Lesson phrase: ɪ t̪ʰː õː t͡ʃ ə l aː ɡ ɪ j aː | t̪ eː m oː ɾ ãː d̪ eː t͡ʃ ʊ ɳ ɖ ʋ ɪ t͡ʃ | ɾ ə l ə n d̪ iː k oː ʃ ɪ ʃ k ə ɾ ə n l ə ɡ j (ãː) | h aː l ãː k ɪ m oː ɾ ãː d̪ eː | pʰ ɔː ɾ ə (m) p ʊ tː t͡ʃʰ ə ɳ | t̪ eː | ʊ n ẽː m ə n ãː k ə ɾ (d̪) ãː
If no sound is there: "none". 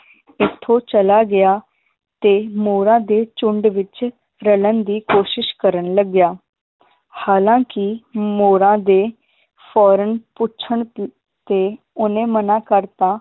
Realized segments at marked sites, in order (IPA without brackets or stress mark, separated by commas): aː, n, t̪